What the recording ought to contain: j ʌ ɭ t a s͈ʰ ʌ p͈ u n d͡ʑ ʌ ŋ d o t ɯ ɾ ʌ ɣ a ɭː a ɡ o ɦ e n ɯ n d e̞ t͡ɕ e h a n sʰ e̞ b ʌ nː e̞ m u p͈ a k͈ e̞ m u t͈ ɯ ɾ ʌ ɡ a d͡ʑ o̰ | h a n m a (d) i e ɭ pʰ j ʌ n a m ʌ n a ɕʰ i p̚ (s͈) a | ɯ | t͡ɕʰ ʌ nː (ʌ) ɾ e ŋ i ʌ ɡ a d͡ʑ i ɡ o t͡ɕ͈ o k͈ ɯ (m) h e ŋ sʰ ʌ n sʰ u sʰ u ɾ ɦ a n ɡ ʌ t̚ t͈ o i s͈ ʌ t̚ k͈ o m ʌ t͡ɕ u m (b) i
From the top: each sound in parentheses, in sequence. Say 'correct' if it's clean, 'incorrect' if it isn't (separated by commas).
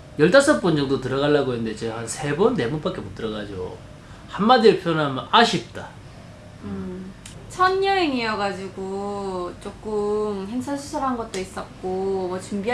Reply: correct, incorrect, correct, correct, correct